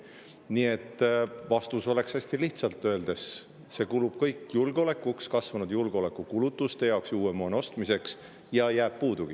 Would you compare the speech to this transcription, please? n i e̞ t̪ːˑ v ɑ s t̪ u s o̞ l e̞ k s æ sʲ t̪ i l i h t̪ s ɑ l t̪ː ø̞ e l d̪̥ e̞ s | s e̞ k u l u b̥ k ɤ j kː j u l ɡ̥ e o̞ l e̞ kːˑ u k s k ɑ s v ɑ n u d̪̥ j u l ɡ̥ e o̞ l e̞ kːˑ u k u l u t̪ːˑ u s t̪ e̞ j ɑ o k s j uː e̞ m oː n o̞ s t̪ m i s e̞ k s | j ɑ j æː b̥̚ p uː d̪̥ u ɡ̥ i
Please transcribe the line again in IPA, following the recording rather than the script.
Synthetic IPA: n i e̞ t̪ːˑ v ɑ s t̪ u s o̞ l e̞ k s æ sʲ t̪ i l i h t̪ s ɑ l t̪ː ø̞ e l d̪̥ e̞ s | s e̞ k u l u b̥ k ɤ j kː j u l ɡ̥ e o̞ l e̞ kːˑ u k s k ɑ s v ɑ n u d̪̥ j u l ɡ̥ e o̞ l e̞ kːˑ u k u l u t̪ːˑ u s t̪ e̞ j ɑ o k s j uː e̞ m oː n o̞ s t̪ m i s e̞ k s | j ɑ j æː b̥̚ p uː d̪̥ u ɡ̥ i